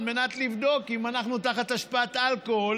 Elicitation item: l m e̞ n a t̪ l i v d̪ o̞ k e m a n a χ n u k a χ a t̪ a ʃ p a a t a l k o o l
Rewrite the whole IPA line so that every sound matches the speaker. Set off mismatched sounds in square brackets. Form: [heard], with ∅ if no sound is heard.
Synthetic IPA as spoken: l m e̞ n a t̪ l i v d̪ o̞ k [i] m a n a χ n u [t] a χ a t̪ a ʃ p a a t a l k o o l